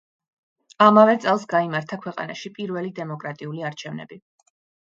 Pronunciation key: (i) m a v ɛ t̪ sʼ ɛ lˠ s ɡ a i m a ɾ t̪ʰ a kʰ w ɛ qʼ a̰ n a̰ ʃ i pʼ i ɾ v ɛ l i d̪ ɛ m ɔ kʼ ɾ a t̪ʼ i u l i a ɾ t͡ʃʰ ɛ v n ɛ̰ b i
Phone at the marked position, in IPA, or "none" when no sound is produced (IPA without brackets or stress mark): a